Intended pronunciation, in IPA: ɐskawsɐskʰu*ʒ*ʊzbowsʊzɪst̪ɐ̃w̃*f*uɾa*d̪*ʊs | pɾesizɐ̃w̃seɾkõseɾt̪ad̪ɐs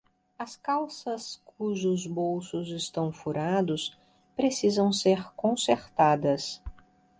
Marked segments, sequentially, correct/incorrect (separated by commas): correct, correct, correct